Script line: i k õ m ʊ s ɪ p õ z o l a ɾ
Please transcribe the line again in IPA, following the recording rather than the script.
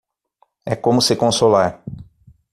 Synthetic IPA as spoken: ɛ k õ m ʊ s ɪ k õ s o l a ɾ